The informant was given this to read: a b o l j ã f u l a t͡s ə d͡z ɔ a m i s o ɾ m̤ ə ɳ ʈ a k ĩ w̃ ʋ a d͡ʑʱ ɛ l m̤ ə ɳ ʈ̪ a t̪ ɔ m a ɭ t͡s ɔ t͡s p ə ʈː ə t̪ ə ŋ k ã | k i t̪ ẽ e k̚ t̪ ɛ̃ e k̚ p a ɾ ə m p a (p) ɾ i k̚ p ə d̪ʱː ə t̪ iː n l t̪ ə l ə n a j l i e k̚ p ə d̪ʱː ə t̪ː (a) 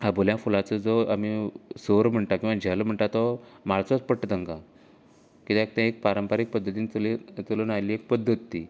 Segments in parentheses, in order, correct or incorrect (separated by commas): incorrect, incorrect